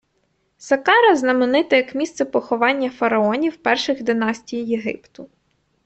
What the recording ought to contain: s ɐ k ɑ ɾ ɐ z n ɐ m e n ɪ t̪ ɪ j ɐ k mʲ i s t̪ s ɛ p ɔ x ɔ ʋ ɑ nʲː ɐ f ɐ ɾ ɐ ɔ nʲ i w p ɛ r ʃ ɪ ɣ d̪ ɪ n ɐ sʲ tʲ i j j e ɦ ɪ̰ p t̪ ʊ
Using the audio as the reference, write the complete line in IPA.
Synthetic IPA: s ɐ k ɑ ɾ ɐ z n ɐ m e n ɪ t̪ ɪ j ɐ k mʲ i s t̪ s ɛ p ɔ x ɔ ʋ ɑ nʲː ɐ f ɐ ɾ ɐ ɔ nʲ i w p ɛ r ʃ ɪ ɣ d̪ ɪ n ɑ sʲ tʲ i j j e ɦ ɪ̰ p t̪ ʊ